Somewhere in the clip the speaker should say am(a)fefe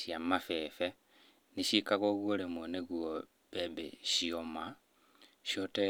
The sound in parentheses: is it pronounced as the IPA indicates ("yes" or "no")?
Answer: yes